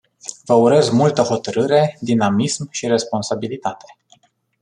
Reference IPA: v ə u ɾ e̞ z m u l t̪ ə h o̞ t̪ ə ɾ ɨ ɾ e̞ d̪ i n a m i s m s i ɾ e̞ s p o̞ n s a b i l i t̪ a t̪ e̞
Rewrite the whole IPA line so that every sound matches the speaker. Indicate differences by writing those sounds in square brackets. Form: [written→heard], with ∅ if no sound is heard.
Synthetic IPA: v ə u ɾ e̞ z m u l t̪ ə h o̞ t̪ ə ɾ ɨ ɾ e̞ d̪ i n a m i s m [s→ʃ] i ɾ e̞ s p o̞ n s a b i l i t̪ a t̪ e̞